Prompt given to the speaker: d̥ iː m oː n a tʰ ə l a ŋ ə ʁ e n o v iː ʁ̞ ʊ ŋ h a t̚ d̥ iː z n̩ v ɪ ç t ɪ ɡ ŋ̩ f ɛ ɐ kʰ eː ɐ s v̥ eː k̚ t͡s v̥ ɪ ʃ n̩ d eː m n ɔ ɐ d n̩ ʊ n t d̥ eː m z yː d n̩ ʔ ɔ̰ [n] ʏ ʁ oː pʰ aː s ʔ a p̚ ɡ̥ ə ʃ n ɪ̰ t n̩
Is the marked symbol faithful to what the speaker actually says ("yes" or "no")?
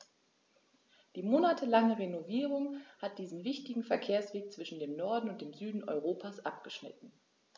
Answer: no